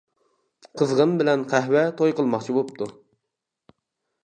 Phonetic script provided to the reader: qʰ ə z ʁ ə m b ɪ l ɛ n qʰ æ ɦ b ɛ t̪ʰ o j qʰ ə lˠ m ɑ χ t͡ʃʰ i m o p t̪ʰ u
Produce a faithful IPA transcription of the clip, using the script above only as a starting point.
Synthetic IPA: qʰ ə z ʁ ə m b ɪ l ɛ n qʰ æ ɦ w ɛ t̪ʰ o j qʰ ə lˠ m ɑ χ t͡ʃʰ i b o p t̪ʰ u